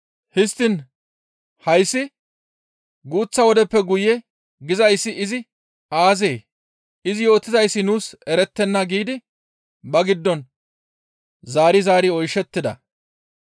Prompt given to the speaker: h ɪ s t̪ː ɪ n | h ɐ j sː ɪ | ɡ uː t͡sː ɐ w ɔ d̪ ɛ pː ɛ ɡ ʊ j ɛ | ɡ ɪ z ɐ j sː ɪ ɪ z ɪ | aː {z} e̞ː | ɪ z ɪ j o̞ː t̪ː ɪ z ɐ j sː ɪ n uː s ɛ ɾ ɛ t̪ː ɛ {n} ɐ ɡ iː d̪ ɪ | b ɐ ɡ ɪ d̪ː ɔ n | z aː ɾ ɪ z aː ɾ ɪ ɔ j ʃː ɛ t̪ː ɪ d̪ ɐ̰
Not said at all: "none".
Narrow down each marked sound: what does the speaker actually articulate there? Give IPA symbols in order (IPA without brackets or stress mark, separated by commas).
z, nː